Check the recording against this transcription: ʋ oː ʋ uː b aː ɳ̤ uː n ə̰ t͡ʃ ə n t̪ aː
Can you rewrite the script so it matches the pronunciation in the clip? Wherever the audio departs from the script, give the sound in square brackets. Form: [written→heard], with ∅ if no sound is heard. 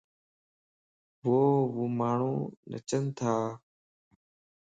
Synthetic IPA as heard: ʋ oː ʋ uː [b→m] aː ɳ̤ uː n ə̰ t͡ʃ ə n [t̪→t̪ʰ] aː